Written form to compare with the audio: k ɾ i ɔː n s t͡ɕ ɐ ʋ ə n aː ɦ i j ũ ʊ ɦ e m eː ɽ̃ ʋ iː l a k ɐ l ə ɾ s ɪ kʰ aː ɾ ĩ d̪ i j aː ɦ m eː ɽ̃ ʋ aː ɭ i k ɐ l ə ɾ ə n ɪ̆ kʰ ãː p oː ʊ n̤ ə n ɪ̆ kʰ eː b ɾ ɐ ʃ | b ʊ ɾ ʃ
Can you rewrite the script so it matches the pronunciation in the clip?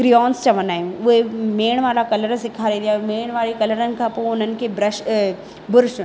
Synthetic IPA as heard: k ɾ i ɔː n s t͡ɕ ɐ ʋ ə n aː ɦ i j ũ ʊ ɦ e m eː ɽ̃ ʋ aː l a k ɐ l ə ɾ s ɪ kʰ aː ɾ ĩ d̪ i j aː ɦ m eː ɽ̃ ʋ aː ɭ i k ɐ l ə ɾ ə n ɪ̆ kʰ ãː p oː ʊ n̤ ə n ɪ̆ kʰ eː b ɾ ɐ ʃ | b ʊ ɾ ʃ